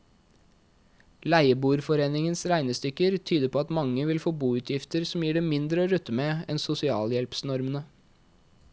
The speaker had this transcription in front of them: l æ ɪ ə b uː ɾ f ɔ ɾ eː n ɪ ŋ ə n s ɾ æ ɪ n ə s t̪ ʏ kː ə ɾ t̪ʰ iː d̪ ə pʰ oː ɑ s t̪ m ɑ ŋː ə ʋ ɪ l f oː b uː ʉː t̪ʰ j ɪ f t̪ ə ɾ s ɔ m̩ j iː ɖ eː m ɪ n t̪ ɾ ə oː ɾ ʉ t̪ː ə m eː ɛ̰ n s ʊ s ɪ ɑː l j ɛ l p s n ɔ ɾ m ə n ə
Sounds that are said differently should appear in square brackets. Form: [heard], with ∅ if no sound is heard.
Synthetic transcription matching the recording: l æ ɪ ə b uː ɾ f ɔ ɾ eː n ɪ ŋ ə n s ɾ æ ɪ n ə s t̪ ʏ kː ə ɾ t̪ʰ [yː] d̪ ə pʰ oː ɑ [∅] t̪ m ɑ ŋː ə ʋ ɪ l f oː b uː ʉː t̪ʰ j ɪ f t̪ ə ɾ s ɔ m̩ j iː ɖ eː m ɪ n [d̪] ɾ ə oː ɾ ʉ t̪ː ə m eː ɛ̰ n s ʊ s ɪ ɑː l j ɛ l p s n ɔ ɾ m ə n ə